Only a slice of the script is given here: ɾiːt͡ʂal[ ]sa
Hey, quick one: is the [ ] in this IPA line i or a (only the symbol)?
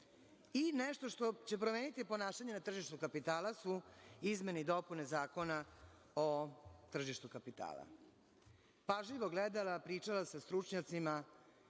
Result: a